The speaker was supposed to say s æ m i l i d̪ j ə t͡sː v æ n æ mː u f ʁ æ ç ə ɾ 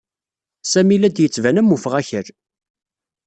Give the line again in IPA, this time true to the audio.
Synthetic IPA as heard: s æ m i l æ d̪ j ə t͡sː v æ n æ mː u f ʁ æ ç ə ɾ